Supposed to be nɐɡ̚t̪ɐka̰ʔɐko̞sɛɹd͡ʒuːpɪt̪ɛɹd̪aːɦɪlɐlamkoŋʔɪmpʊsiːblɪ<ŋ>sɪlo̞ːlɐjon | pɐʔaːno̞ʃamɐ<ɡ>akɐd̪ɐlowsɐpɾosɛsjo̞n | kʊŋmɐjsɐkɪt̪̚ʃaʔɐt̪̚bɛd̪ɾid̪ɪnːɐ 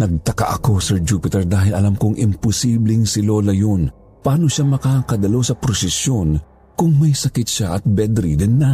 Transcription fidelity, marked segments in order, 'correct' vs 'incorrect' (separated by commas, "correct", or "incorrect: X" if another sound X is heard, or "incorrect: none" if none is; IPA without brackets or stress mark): correct, incorrect: k